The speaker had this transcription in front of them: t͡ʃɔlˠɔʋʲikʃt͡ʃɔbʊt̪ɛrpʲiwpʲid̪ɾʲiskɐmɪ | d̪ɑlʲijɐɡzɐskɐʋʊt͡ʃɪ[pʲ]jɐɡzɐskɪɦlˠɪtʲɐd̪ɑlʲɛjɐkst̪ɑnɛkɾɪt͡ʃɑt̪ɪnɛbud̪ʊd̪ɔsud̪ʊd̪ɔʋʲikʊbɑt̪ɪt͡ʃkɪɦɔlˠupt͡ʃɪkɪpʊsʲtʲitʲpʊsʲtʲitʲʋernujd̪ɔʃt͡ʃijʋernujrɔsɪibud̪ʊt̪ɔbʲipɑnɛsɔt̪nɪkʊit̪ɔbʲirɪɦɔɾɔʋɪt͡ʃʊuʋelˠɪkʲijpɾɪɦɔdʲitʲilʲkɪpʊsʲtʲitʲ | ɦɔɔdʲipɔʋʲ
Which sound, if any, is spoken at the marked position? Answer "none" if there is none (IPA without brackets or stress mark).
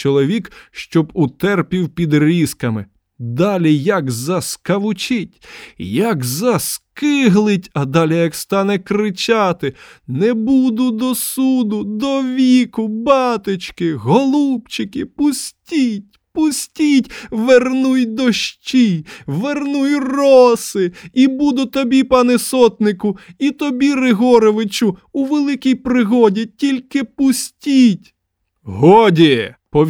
tʲ